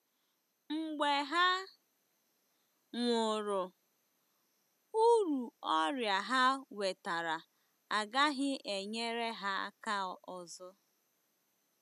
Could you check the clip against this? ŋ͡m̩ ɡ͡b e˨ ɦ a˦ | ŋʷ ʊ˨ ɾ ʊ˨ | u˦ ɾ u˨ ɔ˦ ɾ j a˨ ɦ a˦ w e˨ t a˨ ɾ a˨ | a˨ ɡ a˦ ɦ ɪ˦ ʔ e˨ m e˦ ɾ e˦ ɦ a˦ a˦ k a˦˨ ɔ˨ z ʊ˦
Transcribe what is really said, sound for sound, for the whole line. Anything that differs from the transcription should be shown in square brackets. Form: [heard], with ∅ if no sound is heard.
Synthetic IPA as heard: ŋ͡m̩ ɡ͡b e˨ ɦ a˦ | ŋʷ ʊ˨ ɾ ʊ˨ | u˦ ɾ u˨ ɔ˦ ɾ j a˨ ɦ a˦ w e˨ t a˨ ɾ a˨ | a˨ ɡ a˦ ɦ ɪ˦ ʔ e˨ [ɲ] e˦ ɾ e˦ ɦ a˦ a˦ k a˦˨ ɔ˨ z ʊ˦